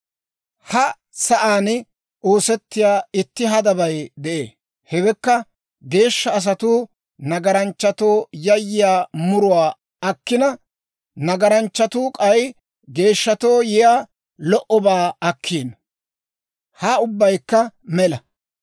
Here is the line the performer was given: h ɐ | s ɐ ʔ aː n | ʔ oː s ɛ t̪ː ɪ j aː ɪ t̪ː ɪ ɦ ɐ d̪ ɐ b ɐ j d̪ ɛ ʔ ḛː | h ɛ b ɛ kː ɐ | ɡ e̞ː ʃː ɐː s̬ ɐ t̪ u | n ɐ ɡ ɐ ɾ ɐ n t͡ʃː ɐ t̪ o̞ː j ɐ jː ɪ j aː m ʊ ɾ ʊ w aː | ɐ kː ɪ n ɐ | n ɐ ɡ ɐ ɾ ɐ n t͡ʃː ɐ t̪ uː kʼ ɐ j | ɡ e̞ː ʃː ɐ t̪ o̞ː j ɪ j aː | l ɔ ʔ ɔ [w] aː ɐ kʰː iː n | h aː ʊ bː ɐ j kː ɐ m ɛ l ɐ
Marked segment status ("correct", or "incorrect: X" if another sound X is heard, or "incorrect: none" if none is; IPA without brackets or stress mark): incorrect: b